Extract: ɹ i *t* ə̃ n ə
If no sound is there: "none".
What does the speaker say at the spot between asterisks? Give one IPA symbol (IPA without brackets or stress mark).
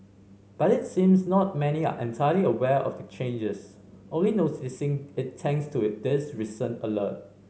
s